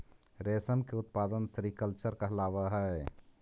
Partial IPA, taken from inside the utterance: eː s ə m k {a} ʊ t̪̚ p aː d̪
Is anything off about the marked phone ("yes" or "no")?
yes